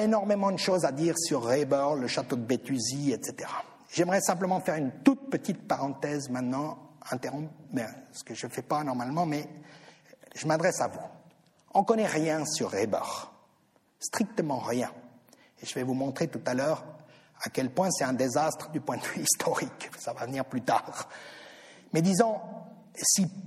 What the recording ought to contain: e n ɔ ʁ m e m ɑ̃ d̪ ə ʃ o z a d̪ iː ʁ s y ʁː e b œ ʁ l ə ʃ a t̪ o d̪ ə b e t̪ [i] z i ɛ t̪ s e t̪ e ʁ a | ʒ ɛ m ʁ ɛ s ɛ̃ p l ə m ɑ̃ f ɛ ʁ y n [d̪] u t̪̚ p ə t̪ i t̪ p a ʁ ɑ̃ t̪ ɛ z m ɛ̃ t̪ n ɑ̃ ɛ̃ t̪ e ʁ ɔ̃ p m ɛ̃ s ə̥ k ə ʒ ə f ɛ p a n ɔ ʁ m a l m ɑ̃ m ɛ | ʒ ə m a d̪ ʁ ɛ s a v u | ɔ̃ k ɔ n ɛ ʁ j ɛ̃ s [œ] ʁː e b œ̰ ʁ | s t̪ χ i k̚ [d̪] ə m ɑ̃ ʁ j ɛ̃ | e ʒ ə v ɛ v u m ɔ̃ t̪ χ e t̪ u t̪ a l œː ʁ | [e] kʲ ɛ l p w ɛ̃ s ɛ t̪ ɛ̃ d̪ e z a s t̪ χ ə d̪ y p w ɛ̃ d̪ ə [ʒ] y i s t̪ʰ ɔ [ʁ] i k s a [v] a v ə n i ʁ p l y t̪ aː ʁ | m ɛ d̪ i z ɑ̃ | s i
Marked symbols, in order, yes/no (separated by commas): no, no, no, no, no, no, yes, yes